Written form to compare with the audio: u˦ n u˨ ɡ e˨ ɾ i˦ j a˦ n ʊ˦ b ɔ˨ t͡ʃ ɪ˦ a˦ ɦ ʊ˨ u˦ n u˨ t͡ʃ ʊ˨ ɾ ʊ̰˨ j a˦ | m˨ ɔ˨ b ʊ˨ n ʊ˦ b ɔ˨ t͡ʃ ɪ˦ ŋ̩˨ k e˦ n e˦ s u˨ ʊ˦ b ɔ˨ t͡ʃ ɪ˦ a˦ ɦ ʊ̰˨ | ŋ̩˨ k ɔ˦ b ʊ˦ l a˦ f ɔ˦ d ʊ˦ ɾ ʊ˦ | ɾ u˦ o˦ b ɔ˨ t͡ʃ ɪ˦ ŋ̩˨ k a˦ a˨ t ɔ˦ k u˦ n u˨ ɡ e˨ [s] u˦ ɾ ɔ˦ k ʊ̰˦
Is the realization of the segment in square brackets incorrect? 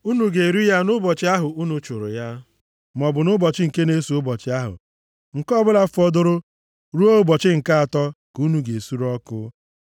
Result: no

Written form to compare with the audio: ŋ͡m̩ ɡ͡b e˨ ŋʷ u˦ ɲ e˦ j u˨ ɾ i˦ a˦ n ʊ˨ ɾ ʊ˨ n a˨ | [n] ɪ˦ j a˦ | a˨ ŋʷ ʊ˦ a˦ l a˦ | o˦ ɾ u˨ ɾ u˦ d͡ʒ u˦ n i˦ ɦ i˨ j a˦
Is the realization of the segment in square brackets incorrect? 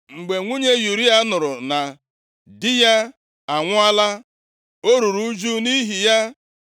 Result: yes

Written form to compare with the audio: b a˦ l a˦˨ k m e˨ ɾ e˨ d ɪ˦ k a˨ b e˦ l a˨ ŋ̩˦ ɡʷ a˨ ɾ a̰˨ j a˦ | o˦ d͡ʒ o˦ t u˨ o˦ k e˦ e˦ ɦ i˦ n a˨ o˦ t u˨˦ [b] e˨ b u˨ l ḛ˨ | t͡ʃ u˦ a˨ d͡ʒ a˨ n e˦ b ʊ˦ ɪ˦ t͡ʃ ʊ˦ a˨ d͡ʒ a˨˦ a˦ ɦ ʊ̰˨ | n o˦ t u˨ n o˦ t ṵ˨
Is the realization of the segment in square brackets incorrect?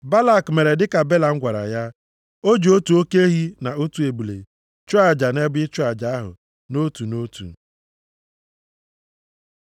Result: yes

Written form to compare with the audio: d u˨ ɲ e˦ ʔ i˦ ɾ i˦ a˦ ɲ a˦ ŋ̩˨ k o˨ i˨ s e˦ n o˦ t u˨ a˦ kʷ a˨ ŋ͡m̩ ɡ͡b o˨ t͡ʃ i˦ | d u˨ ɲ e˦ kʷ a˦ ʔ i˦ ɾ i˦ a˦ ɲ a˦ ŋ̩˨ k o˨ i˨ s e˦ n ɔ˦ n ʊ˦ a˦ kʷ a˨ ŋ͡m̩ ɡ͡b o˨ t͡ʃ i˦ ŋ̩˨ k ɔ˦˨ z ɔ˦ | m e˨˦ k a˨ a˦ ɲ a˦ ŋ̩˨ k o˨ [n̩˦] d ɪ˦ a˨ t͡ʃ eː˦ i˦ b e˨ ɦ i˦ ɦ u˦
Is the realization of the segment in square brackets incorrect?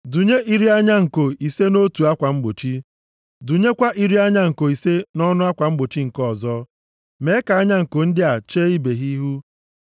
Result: no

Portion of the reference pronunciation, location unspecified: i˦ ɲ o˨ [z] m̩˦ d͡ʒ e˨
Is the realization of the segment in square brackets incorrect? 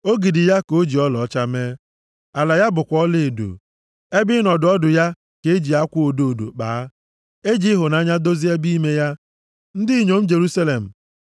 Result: yes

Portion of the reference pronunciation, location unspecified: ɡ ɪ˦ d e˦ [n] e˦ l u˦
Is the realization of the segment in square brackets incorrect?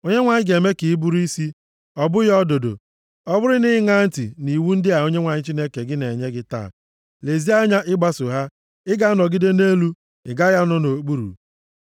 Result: no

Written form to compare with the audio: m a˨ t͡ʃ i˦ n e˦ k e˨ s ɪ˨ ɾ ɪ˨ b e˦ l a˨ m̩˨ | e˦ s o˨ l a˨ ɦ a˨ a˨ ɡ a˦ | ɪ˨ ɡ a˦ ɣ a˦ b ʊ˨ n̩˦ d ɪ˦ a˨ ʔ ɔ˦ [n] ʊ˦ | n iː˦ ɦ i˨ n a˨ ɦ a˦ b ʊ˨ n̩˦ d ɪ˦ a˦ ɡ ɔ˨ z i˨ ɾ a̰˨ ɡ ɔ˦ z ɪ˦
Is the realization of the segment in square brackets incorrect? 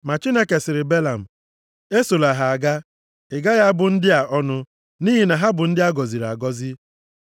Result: no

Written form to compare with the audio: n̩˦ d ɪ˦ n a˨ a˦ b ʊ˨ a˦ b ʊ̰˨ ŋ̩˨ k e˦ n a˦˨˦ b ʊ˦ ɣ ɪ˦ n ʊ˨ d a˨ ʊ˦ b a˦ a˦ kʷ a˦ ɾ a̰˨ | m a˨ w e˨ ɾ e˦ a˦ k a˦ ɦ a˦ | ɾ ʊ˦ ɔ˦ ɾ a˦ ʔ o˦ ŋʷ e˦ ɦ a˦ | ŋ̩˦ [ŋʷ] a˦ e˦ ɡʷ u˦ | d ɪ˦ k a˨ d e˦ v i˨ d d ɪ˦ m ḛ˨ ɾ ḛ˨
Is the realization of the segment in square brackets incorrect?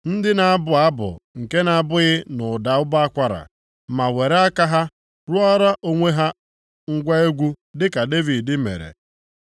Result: yes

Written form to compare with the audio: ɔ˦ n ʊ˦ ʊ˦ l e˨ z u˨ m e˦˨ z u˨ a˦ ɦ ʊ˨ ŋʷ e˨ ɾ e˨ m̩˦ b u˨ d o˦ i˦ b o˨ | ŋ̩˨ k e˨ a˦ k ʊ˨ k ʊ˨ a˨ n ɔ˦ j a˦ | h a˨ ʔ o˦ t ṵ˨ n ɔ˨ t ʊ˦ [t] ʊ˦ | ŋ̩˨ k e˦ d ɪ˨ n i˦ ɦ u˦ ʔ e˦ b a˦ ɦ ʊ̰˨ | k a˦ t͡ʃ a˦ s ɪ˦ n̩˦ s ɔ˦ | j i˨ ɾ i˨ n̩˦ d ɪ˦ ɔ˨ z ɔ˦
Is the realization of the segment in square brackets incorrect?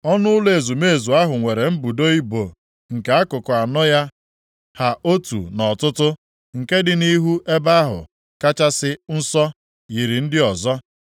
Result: no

